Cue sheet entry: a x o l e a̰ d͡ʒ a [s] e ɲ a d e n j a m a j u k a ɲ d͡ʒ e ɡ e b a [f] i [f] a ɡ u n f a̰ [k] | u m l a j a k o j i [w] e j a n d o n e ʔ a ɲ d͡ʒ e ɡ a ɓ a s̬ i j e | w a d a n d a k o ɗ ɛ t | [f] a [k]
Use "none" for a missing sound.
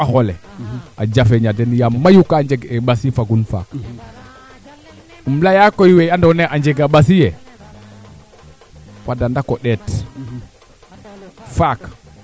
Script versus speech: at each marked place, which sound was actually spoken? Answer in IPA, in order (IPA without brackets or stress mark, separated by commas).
f, s, f, k, w, f, k